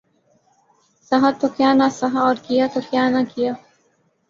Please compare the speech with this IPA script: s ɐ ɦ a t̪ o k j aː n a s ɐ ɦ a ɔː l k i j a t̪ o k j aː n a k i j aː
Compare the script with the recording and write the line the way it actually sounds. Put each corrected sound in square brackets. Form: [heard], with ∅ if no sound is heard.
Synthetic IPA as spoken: s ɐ ɦ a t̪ o k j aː n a s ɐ ɦ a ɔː [ɾ] k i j a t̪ o k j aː n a k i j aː